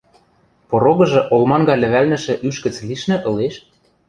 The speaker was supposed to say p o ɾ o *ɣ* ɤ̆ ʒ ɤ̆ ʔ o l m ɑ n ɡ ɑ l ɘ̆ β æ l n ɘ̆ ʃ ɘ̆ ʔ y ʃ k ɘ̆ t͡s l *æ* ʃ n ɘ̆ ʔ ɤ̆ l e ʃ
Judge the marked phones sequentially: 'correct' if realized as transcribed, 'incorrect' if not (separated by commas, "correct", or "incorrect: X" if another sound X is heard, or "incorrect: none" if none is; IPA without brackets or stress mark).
correct, incorrect: i